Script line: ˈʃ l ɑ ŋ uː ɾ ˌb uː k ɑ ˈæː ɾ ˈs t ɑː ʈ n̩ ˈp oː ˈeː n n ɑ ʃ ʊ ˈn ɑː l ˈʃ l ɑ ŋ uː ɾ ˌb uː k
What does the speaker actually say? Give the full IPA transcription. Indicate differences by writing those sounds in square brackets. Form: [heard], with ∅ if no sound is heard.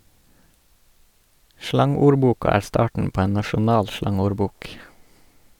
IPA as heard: ˈʃ l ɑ ŋ uː ɾ ˌb uː k ɑ ˈæː ɾ ˈs t ɑː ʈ n̩ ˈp oː ˈeː n n ɑ ʃ ʊ ˈn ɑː l ˈʃ l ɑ ŋ uː ɾ ˌb uː k